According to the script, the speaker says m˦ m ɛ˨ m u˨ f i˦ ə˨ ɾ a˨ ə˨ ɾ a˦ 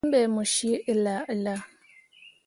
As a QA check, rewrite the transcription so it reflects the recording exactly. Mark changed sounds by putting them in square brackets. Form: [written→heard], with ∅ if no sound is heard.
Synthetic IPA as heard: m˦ [m→b] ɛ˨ m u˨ [f→ʃ] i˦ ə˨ [ɾ→l] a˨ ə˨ [ɾ→l] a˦